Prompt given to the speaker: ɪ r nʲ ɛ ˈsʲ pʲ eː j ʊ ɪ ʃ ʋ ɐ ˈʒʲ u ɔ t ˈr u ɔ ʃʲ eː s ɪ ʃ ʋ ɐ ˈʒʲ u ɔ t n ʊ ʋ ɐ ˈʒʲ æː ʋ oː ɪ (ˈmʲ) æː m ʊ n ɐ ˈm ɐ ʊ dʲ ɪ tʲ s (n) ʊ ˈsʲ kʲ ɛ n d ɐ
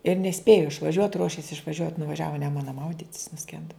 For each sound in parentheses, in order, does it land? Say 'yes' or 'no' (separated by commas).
no, yes